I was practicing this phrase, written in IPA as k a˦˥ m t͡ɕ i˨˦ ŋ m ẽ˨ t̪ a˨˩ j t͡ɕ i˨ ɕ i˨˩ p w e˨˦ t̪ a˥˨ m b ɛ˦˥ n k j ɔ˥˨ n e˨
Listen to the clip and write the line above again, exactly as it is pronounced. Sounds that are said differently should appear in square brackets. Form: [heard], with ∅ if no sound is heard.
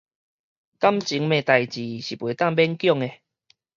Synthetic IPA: k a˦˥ m t͡ɕ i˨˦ ŋ m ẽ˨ t̪ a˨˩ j t͡ɕ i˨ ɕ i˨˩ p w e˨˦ t̪ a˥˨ [ŋ] b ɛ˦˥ n k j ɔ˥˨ [ŋ] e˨